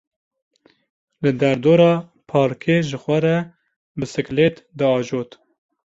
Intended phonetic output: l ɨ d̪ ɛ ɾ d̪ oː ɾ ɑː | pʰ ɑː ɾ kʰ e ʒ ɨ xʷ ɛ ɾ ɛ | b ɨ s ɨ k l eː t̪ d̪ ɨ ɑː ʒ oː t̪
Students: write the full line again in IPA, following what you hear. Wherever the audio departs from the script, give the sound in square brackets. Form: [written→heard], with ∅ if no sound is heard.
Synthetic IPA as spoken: l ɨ d̪ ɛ ɾ d̪ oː ɾ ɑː | pʰ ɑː ɾ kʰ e ʒ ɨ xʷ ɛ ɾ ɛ | b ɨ s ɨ k l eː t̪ d̪ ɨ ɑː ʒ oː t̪